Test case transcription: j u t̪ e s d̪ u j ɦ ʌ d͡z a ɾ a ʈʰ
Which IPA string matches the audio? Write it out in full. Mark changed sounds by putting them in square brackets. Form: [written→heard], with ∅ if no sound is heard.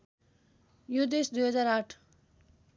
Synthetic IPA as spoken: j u [t̪→d̪] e s d̪ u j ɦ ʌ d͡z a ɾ a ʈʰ

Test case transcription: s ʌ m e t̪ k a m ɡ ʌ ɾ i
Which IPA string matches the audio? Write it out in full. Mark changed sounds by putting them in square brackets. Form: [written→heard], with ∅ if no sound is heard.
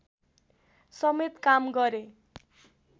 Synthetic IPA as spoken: s ʌ m e t̪ k a m ɡ ʌ ɾ [i→e]

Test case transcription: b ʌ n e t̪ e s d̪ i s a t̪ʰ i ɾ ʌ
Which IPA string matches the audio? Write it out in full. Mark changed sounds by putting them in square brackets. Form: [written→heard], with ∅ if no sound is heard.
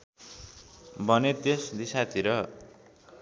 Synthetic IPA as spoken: b ʌ n e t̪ e s d̪ i s a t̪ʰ i ɾ ʌ

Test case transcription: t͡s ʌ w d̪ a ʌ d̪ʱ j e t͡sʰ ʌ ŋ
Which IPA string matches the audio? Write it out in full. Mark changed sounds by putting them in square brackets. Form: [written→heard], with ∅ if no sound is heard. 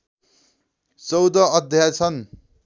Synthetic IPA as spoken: t͡s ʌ w d̪ [a→ʌ] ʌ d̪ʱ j [e→a] t͡sʰ ʌ [ŋ→n]

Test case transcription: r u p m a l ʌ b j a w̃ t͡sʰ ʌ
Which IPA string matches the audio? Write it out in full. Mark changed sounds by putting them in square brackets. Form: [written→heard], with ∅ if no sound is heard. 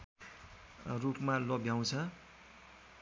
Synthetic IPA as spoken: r u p m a l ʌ b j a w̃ t͡sʰ ʌ

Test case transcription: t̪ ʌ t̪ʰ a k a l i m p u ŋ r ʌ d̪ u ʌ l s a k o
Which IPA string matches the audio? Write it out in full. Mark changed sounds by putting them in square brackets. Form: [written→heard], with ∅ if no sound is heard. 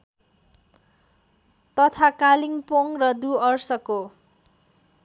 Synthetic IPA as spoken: t̪ ʌ t̪ʰ a k a l i [m→ŋ] p [u→o] ŋ r ʌ d̪ u ʌ [l→r] s [a→ʌ] k o

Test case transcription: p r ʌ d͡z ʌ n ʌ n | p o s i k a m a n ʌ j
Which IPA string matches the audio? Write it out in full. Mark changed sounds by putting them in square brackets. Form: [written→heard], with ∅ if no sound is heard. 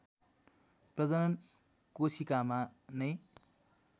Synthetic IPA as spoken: p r ʌ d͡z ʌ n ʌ n | [p→k] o s i k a m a n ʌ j

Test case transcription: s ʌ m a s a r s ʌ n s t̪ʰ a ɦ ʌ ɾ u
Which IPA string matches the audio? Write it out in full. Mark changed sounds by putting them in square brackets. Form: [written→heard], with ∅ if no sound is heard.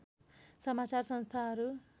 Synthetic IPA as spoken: s ʌ m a [s→t͡s] a r s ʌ n s t̪ʰ a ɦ ʌ ɾ u

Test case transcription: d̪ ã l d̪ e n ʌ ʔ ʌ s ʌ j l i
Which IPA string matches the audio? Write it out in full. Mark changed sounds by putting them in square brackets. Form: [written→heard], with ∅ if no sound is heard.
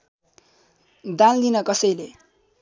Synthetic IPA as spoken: d̪ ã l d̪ [e→i] n ʌ [ʔ→k] ʌ s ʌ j l [i→e]

